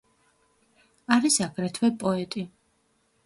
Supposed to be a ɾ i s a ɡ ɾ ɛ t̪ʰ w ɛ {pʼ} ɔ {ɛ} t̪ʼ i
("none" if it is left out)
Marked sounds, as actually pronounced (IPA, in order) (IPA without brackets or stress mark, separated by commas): pʼ, ɛ